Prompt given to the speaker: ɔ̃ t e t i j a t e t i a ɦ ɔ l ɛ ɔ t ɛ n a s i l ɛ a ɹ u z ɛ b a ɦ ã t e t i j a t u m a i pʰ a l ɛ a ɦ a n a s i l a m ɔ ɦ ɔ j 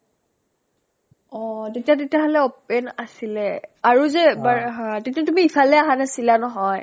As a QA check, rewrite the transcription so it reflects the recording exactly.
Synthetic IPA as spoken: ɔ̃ t e t i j a t e t i a ɦ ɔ l ɛ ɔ p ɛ n a s i l ɛ a ɹ u z ɛ b a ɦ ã t e t i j a t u m i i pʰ a l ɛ a ɦ a n a s i l a n ɔ ɦ ɔ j